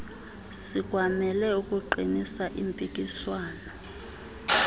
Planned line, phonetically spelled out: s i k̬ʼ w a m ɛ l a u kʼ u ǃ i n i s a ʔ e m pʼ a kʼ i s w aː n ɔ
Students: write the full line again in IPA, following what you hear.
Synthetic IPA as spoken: s i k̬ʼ w a m ɛ l ɛ u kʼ u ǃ i n i s a ʔ i m pʼ i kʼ i s w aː n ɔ

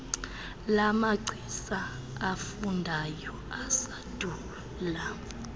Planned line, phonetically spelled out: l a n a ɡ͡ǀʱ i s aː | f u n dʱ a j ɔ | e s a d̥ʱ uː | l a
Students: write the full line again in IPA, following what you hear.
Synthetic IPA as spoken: l a m a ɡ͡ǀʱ i s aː | f u n dʱ a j ɔ | a s a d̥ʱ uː | l a

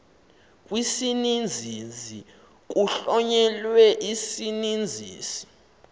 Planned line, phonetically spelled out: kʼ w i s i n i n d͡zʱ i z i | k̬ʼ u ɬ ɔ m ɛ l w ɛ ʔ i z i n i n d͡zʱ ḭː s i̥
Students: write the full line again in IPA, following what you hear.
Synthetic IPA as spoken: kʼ w i s i n i n d͡zʱ i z i | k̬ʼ u ɬ ɔ ɲ ɛ l w ɛ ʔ i s i n i n d͡zʱ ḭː s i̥

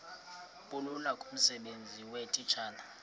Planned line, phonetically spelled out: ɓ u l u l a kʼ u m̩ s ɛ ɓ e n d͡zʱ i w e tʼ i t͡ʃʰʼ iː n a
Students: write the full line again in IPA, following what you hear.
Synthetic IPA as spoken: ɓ u l u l a kʼ u m̩ s ɛ ɓ e n d͡zʱ i w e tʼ i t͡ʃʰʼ aː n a

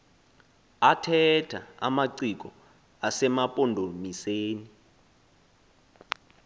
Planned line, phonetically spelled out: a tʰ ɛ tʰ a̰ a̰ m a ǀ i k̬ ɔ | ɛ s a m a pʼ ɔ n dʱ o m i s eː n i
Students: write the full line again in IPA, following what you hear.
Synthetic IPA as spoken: a tʰ ɛ tʰ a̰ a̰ m a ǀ i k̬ ɔ | a s ɛ m a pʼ ɔ n dʱ o m i s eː n i

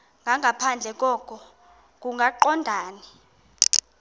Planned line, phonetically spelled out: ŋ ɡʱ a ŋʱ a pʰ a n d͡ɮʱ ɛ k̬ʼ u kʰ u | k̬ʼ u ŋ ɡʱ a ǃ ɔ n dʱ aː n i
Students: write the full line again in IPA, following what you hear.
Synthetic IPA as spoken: ŋ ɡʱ a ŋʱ a pʰ a n d͡ɮʱ ɛ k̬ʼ ɔ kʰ ɔ | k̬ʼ u ŋ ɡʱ a ǃ ɔ n dʱ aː n i

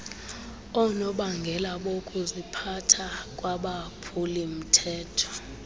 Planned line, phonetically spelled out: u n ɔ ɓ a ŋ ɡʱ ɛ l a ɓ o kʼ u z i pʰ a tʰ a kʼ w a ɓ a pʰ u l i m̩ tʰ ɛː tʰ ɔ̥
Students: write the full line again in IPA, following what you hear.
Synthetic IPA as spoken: ɔ n ɔ ɓ a ŋ ɡʱ ɛ l a ɓ o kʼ u z i pʰ a tʰ a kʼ w a ɓ a pʰ u l i m̩ tʰ ɛː tʰ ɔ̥

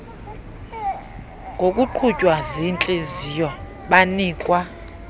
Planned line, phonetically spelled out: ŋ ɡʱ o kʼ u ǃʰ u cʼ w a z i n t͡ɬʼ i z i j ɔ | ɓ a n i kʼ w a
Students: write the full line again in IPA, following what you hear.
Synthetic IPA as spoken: ŋ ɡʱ o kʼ u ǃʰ u cʼ w a z i n t͡ɬʼ e z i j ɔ | ɓ a n iː kʼ w a

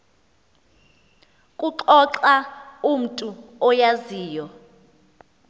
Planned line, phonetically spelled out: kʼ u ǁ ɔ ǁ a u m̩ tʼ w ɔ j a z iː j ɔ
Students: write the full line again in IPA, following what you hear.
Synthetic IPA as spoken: kʼ u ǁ ɔ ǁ a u m̩ tʼ u ɔ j a z iː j ɔ

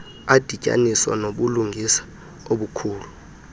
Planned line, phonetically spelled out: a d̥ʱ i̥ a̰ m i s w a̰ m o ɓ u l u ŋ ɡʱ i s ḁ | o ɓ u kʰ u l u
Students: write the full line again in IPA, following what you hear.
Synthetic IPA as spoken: a d̥ʱ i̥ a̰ n i s w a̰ n o ɓ u l u ŋ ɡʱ i s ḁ | o ɓ u kʰ uː l u

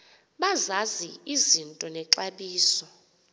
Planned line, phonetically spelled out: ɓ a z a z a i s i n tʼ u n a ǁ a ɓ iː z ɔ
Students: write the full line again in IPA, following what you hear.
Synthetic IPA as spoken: ɓ a z a z i i z i n tʼ ɔ n ɛ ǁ a ɓ iː s ɔ

